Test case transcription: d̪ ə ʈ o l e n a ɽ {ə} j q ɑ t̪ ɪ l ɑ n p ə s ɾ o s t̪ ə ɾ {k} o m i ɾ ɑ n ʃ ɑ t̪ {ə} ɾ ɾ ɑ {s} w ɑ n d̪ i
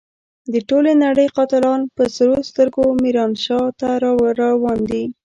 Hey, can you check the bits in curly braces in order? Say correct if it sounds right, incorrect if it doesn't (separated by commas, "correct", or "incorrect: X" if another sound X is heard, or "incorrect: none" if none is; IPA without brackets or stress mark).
correct, incorrect: ɡ, incorrect: a, incorrect: none